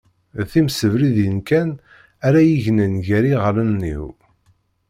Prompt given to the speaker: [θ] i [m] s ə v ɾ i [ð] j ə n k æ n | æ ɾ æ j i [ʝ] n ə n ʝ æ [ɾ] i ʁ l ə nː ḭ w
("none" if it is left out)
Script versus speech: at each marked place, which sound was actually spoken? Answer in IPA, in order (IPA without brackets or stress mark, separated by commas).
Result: θ, m, ð, ʝ, ɾ